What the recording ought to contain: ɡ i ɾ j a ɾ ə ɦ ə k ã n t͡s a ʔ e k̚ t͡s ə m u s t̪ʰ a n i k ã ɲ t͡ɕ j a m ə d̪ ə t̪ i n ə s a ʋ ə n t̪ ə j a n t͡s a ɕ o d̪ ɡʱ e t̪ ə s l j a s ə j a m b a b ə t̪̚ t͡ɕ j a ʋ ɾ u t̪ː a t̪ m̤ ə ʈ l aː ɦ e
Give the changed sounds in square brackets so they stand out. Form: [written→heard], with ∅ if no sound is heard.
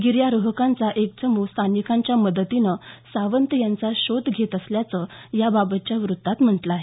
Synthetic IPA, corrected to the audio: ɡ i ɾ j a ɾ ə ɦ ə k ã n t͡s a ʔ e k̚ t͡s ə m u s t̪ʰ a n i k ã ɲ t͡ɕ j a m ə d̪ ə t̪ i n ə s a ʋ ə n t̪ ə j a n t͡s a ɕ o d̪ ɡʱ e t̪ ə s l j a [s→t͡s] ə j a [m→∅] b a b ə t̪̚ t͡ɕ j a ʋ ɾ u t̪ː a t̪ m̤ ə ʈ l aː ɦ e